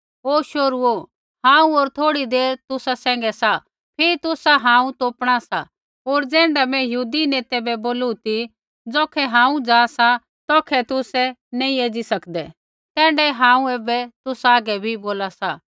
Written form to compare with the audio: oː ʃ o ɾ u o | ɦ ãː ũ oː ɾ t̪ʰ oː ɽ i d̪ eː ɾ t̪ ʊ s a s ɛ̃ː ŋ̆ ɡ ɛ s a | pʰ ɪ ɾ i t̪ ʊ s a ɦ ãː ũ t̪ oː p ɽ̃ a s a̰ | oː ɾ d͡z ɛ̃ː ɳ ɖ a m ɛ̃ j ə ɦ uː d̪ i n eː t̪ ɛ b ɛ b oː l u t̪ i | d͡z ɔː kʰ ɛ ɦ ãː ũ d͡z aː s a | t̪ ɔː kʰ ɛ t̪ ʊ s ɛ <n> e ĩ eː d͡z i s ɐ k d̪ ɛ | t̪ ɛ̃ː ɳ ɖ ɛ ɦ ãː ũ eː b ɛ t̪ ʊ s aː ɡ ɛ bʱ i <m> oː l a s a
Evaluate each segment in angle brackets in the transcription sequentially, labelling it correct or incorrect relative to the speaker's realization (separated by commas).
correct, incorrect